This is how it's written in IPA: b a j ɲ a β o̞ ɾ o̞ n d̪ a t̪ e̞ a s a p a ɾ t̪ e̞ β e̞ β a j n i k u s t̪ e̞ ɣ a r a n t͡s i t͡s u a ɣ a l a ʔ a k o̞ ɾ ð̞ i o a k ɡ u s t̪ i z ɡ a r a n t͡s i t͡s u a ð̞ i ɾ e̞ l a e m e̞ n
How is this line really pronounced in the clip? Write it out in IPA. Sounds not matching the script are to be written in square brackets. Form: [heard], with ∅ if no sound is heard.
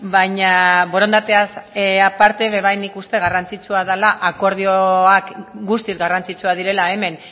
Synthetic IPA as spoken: b a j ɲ a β o̞ ɾ o̞ n d̪ a t̪ e̞ a s a p a ɾ t̪ e̞ β e̞ β a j n i k u s t̪ e̞ ɣ a r a n t͡s i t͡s u a [ð] a l a ʔ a k o̞ ɾ ð̞ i o a k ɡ u s t̪ i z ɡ a r a n t͡s i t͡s u a ð̞ i ɾ e̞ l a e m e̞ n